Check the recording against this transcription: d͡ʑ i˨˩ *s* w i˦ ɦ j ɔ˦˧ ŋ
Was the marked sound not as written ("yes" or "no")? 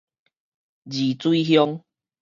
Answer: yes